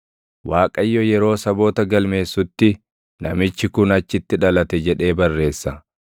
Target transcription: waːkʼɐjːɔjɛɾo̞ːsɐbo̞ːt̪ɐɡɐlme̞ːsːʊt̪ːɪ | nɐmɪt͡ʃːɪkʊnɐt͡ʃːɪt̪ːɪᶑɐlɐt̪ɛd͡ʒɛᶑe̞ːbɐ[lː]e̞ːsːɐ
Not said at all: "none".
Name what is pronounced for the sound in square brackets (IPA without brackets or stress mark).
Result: rː